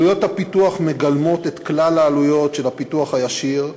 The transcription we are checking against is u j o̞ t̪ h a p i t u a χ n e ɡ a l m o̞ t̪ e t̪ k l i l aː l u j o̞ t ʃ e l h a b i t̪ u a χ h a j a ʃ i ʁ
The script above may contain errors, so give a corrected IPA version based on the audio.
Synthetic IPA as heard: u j o̞ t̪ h a p i t u a χ m e ɡ a l m o̞ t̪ e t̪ k l a l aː l u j o̞ t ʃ e l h a p i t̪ u a χ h a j a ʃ i ʁ